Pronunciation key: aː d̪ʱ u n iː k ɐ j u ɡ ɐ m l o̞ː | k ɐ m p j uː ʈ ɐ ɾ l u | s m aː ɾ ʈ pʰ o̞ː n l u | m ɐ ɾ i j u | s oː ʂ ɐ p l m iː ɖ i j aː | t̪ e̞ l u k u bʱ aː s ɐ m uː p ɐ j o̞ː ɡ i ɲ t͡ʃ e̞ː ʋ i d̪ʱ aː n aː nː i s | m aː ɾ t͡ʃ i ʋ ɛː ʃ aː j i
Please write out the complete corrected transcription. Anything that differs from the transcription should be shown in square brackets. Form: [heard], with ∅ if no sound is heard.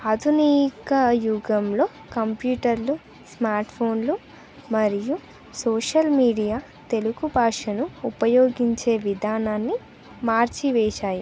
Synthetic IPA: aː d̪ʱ u n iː k ɐ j u ɡ ɐ m l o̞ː | k ɐ m p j uː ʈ ɐ ɾ l u | s m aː ɾ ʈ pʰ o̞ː n l u | m ɐ ɾ i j u | s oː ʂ ɐ [∅] l m iː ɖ i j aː | t̪ e̞ l u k u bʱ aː [ʂ] ɐ [n] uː p ɐ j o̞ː ɡ i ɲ t͡ʃ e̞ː ʋ i d̪ʱ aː n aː nː i [∅] | m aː ɾ t͡ʃ i ʋ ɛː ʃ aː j i